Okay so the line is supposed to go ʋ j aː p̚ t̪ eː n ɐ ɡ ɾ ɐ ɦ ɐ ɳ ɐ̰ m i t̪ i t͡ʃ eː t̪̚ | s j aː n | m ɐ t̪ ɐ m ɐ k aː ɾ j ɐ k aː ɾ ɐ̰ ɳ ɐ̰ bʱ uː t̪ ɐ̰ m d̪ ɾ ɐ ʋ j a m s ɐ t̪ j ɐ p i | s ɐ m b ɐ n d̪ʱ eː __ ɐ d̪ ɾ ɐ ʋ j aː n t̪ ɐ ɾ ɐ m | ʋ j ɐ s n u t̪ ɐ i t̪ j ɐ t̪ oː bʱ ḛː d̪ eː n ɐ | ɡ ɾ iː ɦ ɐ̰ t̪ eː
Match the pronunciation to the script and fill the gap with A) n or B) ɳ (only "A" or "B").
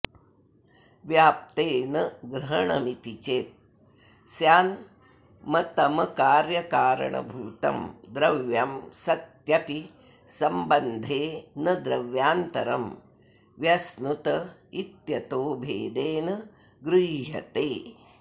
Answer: A